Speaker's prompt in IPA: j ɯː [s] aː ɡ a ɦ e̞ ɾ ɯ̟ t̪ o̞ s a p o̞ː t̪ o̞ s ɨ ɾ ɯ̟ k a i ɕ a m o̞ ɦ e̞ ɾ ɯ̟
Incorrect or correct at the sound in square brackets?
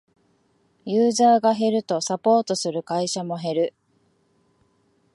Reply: incorrect: z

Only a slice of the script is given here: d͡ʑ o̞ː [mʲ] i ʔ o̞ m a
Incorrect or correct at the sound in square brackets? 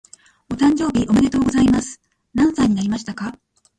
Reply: incorrect: bʲ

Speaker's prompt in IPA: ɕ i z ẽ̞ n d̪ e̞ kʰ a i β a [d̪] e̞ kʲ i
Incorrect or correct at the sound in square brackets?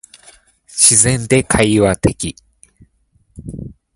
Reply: incorrect: t̪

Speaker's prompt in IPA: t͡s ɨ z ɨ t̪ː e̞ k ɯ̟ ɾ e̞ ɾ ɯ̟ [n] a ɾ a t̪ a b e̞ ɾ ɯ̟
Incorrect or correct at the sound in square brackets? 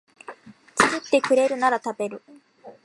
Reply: correct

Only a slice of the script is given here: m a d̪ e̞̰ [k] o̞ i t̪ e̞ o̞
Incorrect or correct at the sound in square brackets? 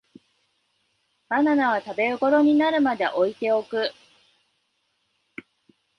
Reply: incorrect: ʔ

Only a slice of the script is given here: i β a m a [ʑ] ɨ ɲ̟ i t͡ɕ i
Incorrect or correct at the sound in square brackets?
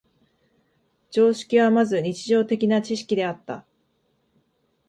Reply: incorrect: z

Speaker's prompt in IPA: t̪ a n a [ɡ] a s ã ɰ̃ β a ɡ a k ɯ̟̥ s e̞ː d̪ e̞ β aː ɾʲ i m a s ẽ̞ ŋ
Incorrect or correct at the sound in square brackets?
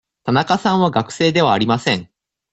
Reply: incorrect: k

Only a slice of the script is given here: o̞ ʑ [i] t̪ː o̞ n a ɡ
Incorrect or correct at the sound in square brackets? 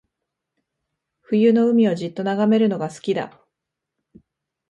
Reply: correct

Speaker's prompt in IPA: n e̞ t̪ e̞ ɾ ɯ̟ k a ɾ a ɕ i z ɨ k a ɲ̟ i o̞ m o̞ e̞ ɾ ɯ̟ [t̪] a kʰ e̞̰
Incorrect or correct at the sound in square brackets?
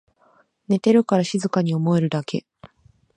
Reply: incorrect: d̪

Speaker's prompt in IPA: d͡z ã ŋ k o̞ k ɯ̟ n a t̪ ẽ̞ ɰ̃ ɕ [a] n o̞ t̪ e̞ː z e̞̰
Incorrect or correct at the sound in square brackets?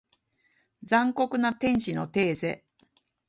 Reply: incorrect: i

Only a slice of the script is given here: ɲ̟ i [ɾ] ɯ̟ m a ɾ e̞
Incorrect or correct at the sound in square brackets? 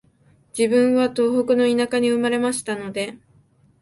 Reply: incorrect: none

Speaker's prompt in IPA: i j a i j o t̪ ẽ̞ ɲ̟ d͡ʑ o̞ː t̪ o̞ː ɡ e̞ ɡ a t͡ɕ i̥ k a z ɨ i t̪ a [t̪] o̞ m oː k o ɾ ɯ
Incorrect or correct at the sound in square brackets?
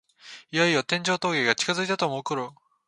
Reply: correct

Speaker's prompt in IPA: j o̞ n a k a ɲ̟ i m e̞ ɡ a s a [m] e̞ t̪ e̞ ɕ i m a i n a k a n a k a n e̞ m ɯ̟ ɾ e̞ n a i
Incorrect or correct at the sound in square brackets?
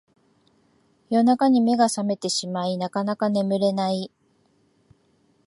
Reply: correct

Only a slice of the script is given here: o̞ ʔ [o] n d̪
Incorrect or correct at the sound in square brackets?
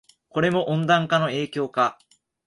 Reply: incorrect: õ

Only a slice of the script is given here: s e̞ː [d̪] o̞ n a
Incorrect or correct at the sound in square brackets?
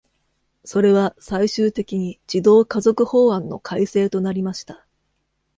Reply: incorrect: t̪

